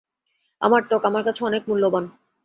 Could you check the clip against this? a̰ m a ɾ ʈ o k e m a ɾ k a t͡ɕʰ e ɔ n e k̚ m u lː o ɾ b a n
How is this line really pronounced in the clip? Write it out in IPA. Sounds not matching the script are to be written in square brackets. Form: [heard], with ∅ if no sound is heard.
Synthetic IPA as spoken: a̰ m a ɾ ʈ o k [a] m a ɾ k a t͡ɕʰ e ɔ n e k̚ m u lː o [∅] b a n